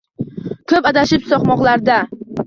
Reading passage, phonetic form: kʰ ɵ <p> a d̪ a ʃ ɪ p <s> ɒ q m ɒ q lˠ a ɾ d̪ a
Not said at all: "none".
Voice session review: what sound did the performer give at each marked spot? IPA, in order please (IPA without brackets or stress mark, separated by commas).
p, s